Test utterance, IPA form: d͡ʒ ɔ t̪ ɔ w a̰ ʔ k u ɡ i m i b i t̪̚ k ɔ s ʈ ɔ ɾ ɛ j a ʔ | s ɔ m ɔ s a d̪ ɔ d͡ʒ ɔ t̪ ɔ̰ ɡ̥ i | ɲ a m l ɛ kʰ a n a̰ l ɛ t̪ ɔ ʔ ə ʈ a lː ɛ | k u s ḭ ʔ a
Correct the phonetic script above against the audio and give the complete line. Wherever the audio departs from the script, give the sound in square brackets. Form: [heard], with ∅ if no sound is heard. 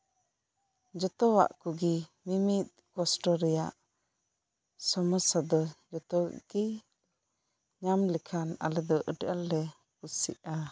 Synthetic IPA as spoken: d͡ʒ ɔ t̪ ɔ w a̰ ʔ k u ɡ i m i [m] i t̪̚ k ɔ s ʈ ɔ ɾ ɛ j a ʔ | s ɔ m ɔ s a d̪ ɔ d͡ʒ ɔ t̪ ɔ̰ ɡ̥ i | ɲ a m l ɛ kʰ a n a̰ l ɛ [d̪] ɔ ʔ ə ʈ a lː ɛ | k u s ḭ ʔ a

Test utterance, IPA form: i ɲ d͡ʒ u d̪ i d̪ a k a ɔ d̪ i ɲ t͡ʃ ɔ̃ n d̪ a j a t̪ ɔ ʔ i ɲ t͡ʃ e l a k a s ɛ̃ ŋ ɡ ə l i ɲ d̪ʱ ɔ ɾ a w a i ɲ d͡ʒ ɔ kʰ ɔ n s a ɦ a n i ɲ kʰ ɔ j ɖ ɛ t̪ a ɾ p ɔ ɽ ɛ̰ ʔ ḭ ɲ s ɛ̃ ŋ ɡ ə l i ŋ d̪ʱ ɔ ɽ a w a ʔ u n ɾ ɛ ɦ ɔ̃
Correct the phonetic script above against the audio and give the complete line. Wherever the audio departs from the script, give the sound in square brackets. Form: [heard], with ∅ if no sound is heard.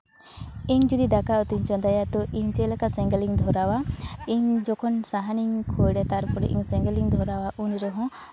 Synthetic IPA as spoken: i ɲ d͡ʒ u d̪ i d̪ a k a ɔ [t̪] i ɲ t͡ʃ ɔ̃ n d̪ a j a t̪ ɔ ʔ i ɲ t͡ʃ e l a k a s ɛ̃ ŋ ɡ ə l i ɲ d̪ʱ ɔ ɾ a w a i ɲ d͡ʒ ɔ kʰ ɔ n s a ɦ a n i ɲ kʰ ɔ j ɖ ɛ t̪ a ɾ p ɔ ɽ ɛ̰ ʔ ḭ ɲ s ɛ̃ ŋ ɡ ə l i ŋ d̪ʱ ɔ [ɾ] a w a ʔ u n ɾ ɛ ɦ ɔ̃

